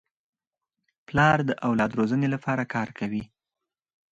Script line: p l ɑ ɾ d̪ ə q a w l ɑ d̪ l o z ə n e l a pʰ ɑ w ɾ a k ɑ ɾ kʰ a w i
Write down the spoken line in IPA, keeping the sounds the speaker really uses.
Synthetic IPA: p l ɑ ɾ d̪ ə ʔ a w l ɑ d̪ ɾ o z ə n e l a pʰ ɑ ɾ a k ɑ ɾ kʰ a w i